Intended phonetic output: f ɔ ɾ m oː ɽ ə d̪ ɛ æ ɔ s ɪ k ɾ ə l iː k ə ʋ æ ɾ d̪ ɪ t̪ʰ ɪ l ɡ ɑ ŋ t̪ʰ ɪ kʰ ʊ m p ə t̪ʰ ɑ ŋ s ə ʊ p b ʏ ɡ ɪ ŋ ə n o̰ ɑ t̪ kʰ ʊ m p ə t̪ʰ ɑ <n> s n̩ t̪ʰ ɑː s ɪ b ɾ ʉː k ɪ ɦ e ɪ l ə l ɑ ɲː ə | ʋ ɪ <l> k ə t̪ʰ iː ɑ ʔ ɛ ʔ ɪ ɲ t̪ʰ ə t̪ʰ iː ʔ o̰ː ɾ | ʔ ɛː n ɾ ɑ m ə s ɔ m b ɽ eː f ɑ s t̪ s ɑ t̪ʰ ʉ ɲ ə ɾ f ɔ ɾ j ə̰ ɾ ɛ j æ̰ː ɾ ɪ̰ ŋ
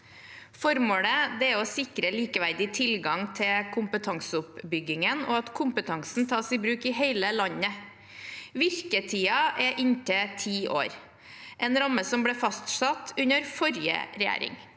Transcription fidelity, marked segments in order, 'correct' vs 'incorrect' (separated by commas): incorrect, incorrect